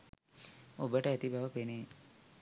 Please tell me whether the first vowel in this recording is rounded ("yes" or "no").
yes